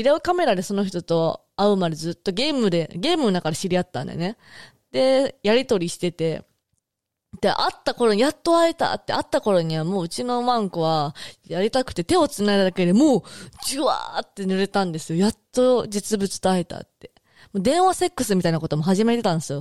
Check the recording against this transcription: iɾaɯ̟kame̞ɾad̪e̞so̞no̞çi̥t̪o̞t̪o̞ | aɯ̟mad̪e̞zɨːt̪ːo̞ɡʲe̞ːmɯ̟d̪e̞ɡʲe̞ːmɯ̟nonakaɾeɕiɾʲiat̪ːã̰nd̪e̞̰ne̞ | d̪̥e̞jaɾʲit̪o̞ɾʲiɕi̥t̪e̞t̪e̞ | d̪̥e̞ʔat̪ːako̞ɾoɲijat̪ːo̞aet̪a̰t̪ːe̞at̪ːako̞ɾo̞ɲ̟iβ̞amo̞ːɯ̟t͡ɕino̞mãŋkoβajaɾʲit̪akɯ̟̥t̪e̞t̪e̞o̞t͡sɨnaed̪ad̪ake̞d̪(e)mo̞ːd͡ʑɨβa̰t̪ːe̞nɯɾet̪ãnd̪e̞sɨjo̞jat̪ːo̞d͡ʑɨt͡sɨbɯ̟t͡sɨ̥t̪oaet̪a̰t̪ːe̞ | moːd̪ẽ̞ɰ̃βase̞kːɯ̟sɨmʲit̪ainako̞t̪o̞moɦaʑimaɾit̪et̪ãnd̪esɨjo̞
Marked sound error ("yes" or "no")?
no